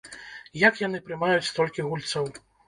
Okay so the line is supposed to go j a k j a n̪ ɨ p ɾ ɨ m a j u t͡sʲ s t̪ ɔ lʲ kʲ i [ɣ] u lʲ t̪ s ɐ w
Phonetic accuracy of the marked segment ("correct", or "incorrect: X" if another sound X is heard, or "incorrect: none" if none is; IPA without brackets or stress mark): correct